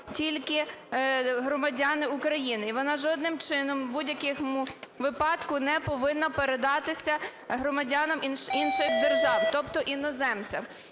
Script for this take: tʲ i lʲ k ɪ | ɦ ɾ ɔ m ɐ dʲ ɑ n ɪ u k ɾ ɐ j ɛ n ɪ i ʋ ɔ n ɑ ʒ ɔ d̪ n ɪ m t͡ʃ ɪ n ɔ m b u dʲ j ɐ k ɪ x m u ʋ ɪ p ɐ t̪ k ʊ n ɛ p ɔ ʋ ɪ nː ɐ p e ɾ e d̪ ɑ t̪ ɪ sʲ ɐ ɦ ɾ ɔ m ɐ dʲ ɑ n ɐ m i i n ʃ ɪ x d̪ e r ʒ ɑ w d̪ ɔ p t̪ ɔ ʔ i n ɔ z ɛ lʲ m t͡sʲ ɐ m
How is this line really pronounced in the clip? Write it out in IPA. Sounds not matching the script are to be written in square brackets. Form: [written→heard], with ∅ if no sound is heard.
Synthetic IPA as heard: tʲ i lʲ k ɪ | ɦ ɾ ɔ m ɐ dʲ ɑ n ɪ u k ɾ ɐ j [ɛ→i] n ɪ i ʋ ɔ n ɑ ʒ ɔ d̪ n ɪ m t͡ʃ ɪ n ɔ m b u dʲ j ɐ k ɪ x m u ʋ ɪ p [ɐ→ɑ] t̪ k ʊ n ɛ p ɔ ʋ ɪ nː ɐ p e ɾ e d̪ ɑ t̪ ɪ sʲ ɐ ɦ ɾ ɔ m ɐ dʲ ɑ n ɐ m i i n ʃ ɪ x d̪ e r ʒ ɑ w [d̪→t̪] ɔ p t̪ ɔ ʔ i n ɔ z ɛ [lʲ→∅] m t͡sʲ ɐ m

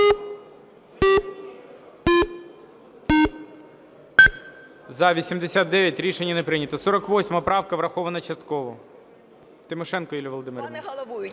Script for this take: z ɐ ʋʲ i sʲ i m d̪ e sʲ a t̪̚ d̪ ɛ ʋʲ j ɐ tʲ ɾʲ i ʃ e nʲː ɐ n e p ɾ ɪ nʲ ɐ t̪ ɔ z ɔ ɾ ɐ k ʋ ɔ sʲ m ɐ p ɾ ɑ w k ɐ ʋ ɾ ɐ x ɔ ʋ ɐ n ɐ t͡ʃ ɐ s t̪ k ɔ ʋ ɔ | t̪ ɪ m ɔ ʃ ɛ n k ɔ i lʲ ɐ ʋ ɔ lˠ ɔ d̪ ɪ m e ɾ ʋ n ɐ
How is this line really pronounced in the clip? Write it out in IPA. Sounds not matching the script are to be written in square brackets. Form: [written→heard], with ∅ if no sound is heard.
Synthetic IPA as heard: z ɐ ʋʲ i sʲ i m d̪ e sʲ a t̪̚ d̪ ɛ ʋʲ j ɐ tʲ ɾʲ i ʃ e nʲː ɐ n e p ɾ ɪ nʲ ɐ t̪ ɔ [z→s] ɔ ɾ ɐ k ʋ ɔ sʲ m ɐ p ɾ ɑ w k ɐ ʋ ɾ ɐ x ɔ ʋ ɐ n ɐ t͡ʃ ɐ s t̪ k ɔ ʋ ɔ | t̪ ɪ m ɔ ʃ ɛ n k ɔ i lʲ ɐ ʋ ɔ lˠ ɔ d̪ ɪ m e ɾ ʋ n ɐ

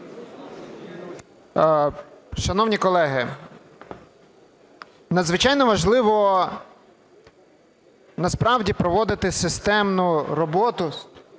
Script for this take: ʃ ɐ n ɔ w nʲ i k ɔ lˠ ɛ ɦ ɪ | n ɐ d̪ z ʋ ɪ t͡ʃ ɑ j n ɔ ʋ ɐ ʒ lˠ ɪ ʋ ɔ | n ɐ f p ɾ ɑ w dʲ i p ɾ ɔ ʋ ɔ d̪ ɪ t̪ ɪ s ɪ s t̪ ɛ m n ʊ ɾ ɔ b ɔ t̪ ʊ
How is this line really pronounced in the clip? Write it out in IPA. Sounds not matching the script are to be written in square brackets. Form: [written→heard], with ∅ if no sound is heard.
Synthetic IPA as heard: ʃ ɐ n ɔ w nʲ i k ɔ lˠ ɛ ɦ ɪ | n ɐ d̪ z ʋ ɪ t͡ʃ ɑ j n ɔ ʋ ɐ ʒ lˠ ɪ ʋ ɔ | n ɐ [f→s] p ɾ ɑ w dʲ i p ɾ ɔ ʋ ɔ d̪ ɪ t̪ ɪ s ɪ s t̪ ɛ m n ʊ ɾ ɔ b ɔ t̪ ʊ

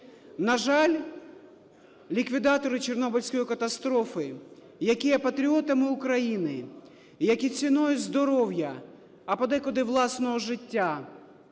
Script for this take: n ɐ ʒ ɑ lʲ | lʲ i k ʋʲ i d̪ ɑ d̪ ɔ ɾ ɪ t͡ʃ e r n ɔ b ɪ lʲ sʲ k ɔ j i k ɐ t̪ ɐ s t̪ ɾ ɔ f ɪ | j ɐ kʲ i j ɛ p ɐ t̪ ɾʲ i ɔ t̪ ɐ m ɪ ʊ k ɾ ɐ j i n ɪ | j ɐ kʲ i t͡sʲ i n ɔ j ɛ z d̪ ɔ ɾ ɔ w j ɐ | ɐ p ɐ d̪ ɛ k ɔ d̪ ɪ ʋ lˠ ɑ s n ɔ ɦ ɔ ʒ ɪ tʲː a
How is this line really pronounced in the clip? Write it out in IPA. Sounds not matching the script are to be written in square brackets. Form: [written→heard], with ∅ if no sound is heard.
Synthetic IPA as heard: n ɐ ʒ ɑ lʲ | lʲ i k ʋʲ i d̪ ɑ [d̪→t̪] ɔ ɾ ɪ t͡ʃ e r n ɔ b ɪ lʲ sʲ k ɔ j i k ɐ t̪ ɐ s t̪ ɾ ɔ f ɪ | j ɐ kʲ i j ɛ p ɐ t̪ ɾʲ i ɔ t̪ ɐ m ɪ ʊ k ɾ ɐ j i n ɪ | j ɐ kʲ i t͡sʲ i n ɔ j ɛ z d̪ ɔ ɾ ɔ w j ɐ | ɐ p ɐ d̪ ɛ k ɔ d̪ ɪ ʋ lˠ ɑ s n ɔ ɦ ɔ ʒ ɪ tʲː a

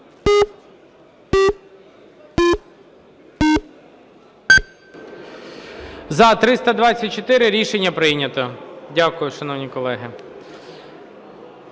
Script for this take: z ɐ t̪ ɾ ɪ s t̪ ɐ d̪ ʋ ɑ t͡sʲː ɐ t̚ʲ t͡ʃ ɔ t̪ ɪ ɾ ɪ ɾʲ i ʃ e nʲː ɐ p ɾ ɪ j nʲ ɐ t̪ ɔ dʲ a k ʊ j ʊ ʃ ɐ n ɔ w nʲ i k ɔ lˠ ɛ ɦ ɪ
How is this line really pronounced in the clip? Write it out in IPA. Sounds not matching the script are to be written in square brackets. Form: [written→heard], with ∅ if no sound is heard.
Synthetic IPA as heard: z ɐ t̪ ɾ ɪ s t̪ ɐ d̪ ʋ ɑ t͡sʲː ɐ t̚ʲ t͡ʃ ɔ t̪ ɪ ɾ ɪ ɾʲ i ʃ e nʲː ɐ p ɾ ɪ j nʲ ɐ t̪ ɔ dʲ a k ʊ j ʊ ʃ ɐ n ɔ w nʲ i k ɔ lˠ ɛ ɦ ɪ

